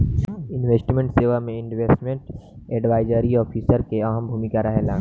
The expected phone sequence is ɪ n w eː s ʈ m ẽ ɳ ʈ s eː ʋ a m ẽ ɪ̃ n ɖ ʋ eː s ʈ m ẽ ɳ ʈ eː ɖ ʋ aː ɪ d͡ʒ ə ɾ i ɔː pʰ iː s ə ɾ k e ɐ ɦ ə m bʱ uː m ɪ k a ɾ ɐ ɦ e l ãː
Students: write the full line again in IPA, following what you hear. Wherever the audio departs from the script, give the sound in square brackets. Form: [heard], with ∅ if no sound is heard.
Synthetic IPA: ɪ n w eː s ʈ m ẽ ɳ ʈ s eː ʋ a m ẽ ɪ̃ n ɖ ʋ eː s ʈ m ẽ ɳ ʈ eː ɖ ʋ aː ɪ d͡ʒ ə ɾ i ɔː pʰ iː s ə ɾ k e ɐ ɦ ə m bʱ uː m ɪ k a ɾ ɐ ɦ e l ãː